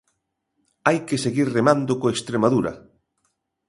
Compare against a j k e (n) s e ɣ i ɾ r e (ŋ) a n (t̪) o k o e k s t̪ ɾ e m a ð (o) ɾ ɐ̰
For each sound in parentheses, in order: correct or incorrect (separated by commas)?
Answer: incorrect, incorrect, incorrect, incorrect